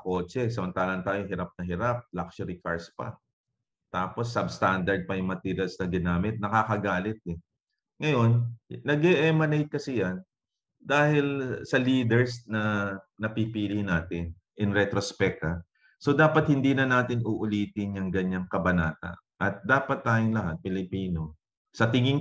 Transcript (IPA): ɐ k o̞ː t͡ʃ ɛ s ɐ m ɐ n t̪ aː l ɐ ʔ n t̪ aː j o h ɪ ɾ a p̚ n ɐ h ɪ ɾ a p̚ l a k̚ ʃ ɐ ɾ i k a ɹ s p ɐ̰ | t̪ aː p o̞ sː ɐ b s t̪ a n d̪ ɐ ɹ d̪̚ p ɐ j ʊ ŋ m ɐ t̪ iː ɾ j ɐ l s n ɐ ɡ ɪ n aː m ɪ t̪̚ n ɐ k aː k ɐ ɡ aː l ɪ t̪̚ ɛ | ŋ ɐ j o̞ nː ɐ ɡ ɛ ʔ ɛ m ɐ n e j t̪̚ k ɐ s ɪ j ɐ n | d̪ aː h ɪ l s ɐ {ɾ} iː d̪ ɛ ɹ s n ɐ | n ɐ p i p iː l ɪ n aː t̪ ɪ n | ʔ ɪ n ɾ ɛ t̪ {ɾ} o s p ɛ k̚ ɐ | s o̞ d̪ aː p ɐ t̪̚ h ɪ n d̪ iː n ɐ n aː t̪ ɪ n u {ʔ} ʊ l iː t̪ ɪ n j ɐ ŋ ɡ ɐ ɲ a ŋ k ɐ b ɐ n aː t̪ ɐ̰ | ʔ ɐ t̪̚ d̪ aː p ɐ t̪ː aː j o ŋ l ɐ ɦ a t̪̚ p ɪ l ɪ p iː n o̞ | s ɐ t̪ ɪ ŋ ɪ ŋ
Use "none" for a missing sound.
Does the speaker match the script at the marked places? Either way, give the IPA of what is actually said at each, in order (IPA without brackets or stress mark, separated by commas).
l, ɾ, ʔ